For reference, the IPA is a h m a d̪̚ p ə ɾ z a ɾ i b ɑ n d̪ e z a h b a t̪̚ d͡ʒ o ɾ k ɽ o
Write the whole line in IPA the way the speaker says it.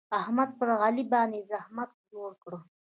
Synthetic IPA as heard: a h m a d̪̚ p ə ɾ ɣ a l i b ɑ n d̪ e z a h m a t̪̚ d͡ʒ o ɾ k ɽ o

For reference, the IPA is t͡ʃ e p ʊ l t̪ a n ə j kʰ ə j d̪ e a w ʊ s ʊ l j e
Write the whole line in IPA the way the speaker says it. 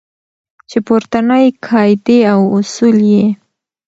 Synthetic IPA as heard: t͡ʃ e p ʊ ɾ t̪ a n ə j kʰ ɑ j d̪ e a w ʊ s u l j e

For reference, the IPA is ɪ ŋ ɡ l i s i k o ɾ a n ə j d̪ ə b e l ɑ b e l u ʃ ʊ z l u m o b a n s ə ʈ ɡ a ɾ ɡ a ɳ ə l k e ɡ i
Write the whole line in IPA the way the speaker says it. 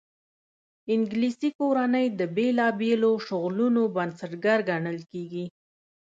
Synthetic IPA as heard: ɪ ŋ ɡ l i s i k o ɾ a n ə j d̪ ə b e l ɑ b e l o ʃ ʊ ɣ l u n o b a n s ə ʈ ɡ a ɾ ɡ a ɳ ə l k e ɡ i

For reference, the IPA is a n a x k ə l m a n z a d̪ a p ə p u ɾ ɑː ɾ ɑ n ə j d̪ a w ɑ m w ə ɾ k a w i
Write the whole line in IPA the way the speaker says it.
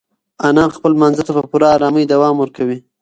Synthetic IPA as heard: a n ɑ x p ə l m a n z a t̪ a p ə p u ɾ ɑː ɾ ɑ m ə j d̪ a w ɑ m w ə ɾ k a w i

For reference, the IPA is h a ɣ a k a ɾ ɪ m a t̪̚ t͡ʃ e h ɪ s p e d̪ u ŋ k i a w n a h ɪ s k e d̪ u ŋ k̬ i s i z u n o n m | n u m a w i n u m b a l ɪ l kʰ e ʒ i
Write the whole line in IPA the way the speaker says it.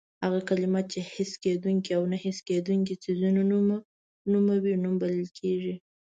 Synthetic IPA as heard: h a ɣ a k a l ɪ m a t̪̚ t͡ʃ e h ɪ s k e d̪ u ŋ k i a w n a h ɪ s k e d̪ u ŋ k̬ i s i z u n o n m | n u m a w i n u m b a l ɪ l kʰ e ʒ i

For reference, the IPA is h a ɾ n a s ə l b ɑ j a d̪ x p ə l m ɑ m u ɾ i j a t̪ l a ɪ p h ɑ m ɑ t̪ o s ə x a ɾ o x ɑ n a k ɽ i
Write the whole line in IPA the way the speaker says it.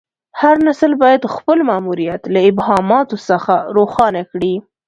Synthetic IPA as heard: h a ɾ n a s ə l b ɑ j a d̪ x p ə l m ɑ m u ɾ i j a t̪ l a ɪ b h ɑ m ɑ t̪ o s ə x a ɾ o x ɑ n a k ɽ i

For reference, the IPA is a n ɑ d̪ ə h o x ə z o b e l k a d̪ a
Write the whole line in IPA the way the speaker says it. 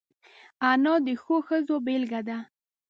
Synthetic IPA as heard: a n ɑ d̪ ə x o x ə z o b e l ɡ a d̪ a

